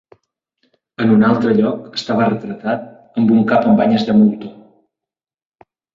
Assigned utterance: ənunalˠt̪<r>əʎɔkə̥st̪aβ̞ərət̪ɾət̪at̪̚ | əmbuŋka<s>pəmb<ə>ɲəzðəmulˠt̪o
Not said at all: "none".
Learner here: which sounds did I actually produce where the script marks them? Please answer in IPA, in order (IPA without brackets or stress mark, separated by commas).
ɾ, none, a